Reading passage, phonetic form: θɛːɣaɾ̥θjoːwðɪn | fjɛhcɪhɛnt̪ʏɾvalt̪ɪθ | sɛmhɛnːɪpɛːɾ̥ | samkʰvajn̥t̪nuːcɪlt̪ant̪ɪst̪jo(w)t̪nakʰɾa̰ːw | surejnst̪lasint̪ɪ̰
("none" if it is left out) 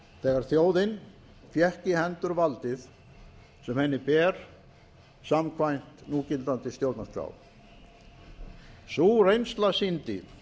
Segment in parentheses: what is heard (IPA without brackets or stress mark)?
w